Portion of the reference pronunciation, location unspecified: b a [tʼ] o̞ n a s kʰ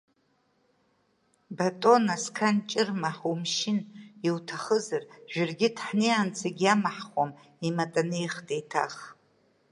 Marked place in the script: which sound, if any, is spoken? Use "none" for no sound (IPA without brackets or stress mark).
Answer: tʼ